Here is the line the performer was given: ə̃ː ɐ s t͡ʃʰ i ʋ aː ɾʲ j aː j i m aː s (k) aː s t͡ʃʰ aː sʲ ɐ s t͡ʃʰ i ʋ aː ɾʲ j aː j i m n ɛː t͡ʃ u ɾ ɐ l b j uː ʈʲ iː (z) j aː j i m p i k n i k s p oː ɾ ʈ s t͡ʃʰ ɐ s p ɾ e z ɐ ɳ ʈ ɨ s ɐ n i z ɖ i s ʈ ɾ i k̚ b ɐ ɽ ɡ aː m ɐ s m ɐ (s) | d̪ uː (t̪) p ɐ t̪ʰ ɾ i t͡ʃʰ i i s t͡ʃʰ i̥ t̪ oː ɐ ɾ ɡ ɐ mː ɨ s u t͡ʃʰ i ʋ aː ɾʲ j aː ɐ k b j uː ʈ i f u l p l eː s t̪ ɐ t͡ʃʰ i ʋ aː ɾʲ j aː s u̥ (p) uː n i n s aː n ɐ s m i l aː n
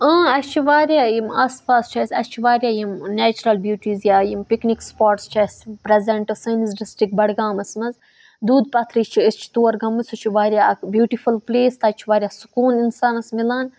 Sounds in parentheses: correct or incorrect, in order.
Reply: incorrect, correct, incorrect, incorrect, incorrect

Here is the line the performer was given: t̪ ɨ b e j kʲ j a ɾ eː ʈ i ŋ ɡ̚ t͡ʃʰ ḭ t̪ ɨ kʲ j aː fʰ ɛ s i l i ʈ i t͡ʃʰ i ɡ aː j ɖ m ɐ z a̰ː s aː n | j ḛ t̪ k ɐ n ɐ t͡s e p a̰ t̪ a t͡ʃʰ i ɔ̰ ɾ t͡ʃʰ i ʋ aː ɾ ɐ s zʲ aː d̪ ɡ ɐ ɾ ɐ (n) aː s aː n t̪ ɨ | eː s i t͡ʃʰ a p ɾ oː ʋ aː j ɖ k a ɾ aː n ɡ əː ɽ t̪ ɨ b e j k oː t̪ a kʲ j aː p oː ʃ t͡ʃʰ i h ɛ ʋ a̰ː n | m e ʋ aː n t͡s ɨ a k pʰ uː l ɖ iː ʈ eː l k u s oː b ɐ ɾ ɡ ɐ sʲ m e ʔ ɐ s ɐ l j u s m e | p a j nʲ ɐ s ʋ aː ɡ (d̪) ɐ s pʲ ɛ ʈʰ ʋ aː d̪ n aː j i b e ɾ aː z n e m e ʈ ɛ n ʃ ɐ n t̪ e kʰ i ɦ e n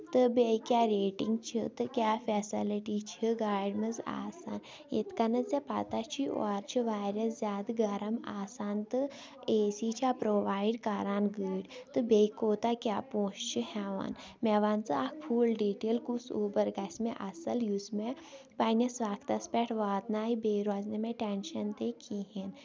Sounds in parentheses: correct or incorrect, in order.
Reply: incorrect, incorrect

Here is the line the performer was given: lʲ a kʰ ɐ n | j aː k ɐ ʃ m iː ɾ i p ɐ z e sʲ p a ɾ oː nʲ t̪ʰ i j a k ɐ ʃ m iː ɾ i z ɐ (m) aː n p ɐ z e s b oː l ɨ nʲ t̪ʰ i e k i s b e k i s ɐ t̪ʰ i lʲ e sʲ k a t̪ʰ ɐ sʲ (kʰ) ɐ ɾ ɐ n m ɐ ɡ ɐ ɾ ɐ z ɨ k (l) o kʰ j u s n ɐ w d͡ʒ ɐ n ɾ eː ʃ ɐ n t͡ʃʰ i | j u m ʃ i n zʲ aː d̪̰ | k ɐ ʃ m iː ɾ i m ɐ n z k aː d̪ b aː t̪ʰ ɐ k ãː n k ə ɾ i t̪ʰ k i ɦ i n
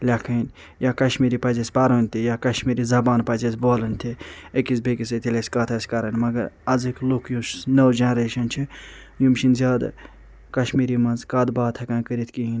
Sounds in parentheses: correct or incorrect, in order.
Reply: incorrect, incorrect, correct

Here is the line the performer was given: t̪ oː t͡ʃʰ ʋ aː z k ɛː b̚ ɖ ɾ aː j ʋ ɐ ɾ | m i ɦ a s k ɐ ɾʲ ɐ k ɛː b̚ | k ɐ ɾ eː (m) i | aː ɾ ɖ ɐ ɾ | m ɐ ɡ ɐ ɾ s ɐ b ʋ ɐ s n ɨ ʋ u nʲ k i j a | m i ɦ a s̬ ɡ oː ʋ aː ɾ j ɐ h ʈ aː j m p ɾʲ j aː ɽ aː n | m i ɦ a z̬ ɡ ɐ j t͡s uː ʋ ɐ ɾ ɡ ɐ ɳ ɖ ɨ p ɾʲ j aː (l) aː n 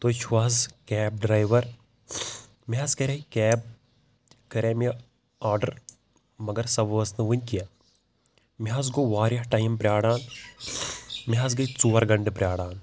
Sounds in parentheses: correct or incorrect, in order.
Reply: correct, incorrect

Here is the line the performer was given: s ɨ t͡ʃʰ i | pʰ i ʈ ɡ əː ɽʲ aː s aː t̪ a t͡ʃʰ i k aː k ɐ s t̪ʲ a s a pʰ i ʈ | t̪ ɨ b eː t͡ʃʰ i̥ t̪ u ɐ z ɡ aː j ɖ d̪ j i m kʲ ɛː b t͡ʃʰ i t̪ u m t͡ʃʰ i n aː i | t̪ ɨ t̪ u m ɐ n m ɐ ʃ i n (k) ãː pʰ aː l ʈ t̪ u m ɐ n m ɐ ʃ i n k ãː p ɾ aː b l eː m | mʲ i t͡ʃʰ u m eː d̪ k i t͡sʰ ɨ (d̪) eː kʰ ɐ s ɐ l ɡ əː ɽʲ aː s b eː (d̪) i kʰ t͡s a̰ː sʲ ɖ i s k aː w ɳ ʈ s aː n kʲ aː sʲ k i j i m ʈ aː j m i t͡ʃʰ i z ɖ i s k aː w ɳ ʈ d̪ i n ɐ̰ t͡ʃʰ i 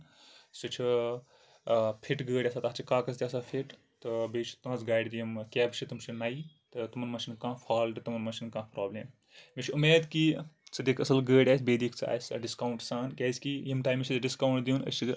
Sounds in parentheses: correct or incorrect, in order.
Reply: correct, correct, correct

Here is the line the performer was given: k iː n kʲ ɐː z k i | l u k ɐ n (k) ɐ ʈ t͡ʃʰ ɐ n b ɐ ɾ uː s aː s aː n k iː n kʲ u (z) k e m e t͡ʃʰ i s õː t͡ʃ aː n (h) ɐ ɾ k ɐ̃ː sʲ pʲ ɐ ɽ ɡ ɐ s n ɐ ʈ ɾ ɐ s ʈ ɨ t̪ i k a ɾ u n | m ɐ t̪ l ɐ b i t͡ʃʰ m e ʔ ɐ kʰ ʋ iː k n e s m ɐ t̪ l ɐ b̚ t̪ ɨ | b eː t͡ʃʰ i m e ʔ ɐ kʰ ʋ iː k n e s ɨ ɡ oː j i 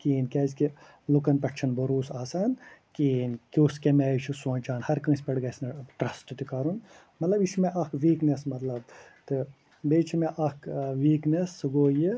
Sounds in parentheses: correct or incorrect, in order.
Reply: incorrect, incorrect, correct

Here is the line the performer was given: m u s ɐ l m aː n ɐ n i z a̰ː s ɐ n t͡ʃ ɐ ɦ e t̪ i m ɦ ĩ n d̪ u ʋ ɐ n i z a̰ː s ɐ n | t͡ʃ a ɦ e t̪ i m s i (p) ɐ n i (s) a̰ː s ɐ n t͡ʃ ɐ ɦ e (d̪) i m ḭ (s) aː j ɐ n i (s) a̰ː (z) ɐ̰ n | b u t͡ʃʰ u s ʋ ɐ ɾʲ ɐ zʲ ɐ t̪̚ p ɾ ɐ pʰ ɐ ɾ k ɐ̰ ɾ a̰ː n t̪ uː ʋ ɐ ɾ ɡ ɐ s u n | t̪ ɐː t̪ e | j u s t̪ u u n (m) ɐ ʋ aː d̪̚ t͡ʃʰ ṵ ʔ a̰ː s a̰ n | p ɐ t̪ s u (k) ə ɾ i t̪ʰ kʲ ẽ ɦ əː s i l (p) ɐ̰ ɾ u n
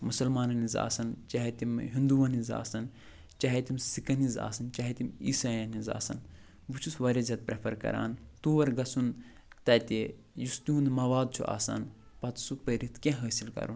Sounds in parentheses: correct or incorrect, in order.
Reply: incorrect, incorrect, incorrect, correct, incorrect, incorrect, correct, incorrect, incorrect

